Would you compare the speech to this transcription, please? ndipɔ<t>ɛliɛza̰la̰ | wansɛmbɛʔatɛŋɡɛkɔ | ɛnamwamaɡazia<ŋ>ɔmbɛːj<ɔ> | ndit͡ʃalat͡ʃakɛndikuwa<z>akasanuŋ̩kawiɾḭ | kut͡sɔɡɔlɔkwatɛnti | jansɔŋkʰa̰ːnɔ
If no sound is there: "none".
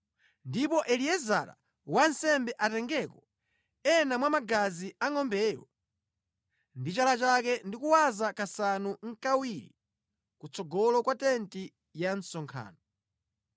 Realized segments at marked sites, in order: ʔ, ŋ, ɔ, z

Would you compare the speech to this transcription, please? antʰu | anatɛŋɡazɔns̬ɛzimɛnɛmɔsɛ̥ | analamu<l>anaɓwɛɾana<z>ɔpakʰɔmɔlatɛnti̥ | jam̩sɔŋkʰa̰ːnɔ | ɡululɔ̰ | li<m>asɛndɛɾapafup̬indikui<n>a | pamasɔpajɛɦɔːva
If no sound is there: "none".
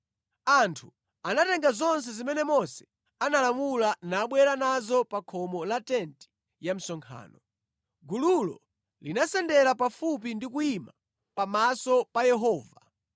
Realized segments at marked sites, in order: l, z, n, m

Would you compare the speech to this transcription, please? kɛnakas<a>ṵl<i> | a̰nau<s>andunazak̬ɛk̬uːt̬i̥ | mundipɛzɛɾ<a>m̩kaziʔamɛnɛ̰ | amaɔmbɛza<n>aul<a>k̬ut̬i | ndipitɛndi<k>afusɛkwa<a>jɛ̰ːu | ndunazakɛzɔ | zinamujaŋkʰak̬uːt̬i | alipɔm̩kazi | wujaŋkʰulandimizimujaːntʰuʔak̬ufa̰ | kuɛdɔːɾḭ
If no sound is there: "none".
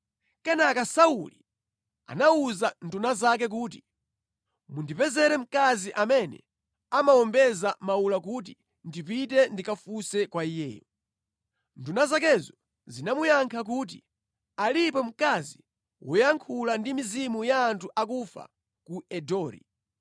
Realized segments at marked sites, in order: a, i, z, ɛ, m, a, k, i

